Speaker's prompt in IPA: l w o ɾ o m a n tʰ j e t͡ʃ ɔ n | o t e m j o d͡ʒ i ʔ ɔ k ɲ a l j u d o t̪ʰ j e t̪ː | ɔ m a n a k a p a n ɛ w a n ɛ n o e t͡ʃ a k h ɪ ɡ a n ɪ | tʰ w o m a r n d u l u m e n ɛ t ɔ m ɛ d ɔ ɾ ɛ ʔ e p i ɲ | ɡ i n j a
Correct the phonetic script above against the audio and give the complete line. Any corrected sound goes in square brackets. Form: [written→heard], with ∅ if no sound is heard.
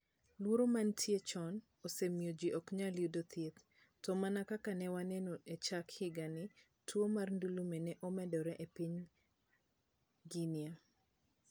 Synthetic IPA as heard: l w o ɾ o m a n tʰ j e t͡ʃ ɔ n | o [t→s] e m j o d͡ʒ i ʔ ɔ k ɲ a l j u d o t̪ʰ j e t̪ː | ɔ m a n a k a [p→k] a n ɛ w a n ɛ n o e t͡ʃ a k h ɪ ɡ a n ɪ | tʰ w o m a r n d u l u m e n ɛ [t→ʔ] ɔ m ɛ d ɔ ɾ ɛ ʔ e p i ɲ | ɡ i n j a